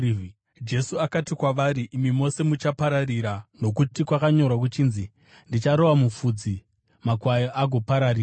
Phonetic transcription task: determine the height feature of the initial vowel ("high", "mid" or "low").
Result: mid